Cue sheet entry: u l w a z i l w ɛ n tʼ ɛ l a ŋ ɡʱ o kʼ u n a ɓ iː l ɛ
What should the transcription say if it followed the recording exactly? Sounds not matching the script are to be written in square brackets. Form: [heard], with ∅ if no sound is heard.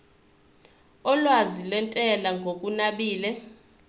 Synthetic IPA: [ɔ] l w a z i l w ɛ n tʼ ɛ l a ŋ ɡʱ o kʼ u n a ɓ iː l ɛ

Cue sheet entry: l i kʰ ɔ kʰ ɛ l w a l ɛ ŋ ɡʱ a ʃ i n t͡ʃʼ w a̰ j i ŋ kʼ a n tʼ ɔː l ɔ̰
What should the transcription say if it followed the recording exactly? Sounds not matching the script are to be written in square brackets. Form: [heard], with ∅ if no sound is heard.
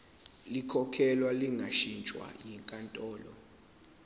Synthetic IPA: l i kʰ ɔ kʰ ɛ l w a l [i] ŋ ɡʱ a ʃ i n t͡ʃʼ w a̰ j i ŋ kʼ a n tʼ ɔː l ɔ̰

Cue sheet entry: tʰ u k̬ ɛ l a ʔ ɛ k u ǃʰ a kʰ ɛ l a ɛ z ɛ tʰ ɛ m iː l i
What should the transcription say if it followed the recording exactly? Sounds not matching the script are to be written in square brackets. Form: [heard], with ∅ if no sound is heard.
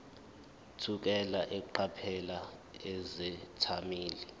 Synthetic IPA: tʰ u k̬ ɛ l a ʔ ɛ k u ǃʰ a [pʰ] ɛ l a ɛ z ɛ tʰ [a] m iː l i

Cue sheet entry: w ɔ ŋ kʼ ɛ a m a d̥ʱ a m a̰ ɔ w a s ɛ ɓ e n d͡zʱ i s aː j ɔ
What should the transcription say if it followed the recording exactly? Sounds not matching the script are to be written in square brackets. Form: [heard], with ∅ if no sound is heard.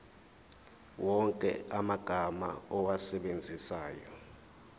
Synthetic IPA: w ɔ ŋ kʼ ɛ a m a [ɡ̥ʱ] a m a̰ ɔ w a s ɛ ɓ e n d͡zʱ i s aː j ɔ

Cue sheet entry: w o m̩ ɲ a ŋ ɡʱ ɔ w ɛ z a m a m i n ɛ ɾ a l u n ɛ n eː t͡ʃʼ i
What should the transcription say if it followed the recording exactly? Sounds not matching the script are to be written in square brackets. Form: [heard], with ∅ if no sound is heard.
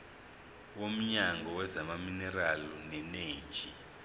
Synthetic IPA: w o m̩ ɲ a ŋ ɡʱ ɔ w ɛ z a m a m i n ɛ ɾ a l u n ɛ n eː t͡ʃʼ i

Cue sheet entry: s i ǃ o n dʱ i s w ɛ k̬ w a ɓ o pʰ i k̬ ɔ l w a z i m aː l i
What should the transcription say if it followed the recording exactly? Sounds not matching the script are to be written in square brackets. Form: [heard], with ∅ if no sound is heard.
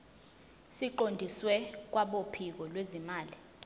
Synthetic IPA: s i ǃ o n dʱ i s w ɛ k̬ w a ɓ o pʰ i k̬ ɔ l w [e] z i m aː l i

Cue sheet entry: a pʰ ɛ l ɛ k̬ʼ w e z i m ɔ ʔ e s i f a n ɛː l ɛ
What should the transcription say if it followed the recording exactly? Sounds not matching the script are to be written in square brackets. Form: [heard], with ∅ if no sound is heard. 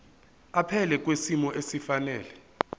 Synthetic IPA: a pʰ ɛ l ɛ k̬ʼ w e [s] i m ɔ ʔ e s i f a n ɛː l ɛ

